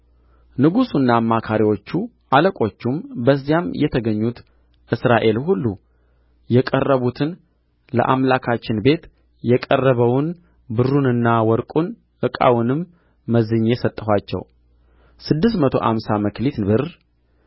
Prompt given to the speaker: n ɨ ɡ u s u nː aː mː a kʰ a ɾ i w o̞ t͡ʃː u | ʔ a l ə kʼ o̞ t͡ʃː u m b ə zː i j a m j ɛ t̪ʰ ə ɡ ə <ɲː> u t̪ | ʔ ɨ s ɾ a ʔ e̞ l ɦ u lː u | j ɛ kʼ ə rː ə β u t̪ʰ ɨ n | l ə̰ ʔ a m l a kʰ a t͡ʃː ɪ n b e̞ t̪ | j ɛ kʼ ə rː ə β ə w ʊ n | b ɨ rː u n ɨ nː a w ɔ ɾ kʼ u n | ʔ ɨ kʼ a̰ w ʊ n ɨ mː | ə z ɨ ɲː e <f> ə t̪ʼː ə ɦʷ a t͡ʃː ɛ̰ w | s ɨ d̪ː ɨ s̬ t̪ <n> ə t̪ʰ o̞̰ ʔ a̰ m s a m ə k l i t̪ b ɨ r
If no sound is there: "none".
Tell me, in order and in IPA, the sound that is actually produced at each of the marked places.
ɲː, s, m

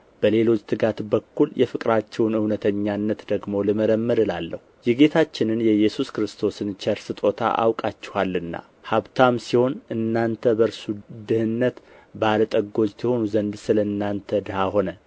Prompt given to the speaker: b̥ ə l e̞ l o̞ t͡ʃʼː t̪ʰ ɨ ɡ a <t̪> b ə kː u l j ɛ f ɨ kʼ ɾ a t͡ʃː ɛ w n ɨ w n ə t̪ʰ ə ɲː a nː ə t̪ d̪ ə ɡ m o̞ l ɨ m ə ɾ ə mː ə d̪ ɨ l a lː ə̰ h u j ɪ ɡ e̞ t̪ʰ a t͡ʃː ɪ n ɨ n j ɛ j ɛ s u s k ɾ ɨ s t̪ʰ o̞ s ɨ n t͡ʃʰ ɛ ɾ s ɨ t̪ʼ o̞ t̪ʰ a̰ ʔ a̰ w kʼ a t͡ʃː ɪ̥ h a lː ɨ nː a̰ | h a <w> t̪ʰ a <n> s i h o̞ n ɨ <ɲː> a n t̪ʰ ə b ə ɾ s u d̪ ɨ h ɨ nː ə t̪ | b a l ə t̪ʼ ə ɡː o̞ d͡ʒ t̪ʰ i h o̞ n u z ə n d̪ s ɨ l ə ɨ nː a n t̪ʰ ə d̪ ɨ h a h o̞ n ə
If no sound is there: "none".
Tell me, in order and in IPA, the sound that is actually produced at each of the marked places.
t̪, β, m, nː

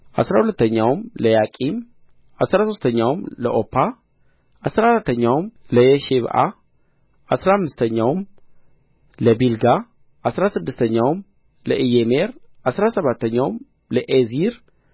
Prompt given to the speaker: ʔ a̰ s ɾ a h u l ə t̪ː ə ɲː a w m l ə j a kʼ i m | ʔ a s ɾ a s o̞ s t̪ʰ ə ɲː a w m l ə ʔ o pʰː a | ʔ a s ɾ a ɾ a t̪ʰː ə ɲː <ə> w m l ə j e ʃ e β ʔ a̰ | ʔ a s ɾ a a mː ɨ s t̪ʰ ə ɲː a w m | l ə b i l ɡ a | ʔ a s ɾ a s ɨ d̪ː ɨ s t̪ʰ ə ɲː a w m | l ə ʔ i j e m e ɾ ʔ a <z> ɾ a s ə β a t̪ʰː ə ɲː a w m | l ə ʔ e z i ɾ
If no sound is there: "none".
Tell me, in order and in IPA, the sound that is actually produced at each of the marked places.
a, s

